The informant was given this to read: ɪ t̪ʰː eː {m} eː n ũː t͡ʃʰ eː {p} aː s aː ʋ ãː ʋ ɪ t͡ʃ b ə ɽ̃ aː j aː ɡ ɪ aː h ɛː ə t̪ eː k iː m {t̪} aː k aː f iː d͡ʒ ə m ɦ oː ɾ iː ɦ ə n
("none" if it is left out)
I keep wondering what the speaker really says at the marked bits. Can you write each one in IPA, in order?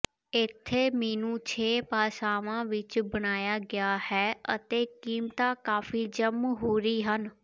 m, p, t̪

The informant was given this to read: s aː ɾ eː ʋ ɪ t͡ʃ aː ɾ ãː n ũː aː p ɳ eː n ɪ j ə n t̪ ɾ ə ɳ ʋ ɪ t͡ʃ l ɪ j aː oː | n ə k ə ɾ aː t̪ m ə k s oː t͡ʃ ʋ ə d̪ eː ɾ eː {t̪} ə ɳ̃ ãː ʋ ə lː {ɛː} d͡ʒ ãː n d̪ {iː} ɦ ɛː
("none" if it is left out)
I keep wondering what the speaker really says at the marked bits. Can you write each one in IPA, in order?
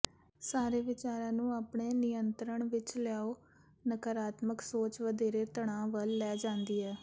t̪, ɛː, iː

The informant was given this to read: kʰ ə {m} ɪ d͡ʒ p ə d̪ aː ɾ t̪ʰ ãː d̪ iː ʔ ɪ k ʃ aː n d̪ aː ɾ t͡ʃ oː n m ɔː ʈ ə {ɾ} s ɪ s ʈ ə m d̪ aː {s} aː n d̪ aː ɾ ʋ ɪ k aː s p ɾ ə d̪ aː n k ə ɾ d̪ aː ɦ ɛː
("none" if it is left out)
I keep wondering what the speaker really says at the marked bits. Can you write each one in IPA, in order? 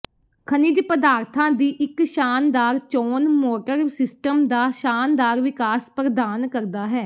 n, ɾ, ʃ

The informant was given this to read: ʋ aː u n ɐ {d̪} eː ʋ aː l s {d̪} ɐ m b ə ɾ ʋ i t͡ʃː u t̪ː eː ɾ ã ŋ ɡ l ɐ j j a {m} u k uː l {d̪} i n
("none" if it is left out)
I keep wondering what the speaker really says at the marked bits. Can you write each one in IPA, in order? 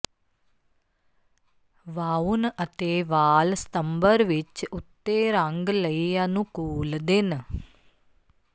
t̪, t̪, n, d̪

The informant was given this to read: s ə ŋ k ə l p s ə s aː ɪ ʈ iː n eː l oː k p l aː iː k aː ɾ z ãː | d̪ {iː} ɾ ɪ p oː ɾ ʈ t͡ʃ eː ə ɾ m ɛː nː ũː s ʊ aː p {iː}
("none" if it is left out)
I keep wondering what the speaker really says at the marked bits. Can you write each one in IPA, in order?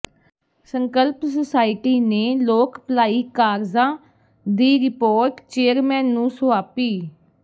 iː, iː

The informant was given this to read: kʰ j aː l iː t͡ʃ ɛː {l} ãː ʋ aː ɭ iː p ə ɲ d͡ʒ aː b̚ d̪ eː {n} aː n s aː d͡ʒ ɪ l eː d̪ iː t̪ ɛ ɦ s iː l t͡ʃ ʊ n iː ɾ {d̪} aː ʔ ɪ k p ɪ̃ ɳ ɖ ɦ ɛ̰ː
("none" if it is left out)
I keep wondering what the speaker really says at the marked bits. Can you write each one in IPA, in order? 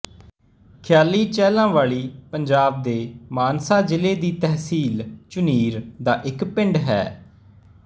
l, m, d̪

